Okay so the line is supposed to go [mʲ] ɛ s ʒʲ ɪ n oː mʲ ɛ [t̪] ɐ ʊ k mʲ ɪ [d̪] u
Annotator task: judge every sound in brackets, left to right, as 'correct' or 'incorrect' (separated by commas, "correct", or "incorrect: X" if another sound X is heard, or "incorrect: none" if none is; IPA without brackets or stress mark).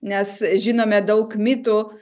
incorrect: nʲ, incorrect: d̪, incorrect: t̪